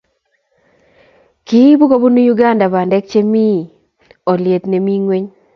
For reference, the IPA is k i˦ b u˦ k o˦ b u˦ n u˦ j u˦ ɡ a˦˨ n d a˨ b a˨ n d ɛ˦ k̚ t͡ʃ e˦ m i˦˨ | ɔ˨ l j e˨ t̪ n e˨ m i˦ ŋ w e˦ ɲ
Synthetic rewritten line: k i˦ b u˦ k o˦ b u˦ n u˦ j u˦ ɡ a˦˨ n d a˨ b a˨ n d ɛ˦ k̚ t͡ʃ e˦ m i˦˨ | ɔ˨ l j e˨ t̪ n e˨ m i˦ ŋ w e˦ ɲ